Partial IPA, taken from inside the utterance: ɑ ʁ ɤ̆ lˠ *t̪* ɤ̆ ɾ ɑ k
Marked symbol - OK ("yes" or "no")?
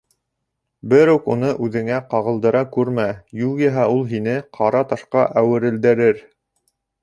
no